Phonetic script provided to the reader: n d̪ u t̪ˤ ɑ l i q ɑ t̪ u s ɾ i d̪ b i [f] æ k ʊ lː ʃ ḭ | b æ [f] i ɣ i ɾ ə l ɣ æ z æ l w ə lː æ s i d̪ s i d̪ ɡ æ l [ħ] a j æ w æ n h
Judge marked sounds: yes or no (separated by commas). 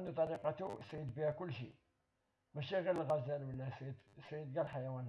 no, no, yes